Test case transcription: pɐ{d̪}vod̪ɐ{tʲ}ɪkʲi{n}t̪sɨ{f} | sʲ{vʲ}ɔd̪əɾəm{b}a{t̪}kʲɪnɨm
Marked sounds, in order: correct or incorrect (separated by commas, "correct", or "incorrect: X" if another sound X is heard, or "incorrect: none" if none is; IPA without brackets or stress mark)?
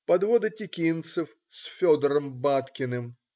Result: correct, correct, correct, correct, incorrect: fʲ, correct, correct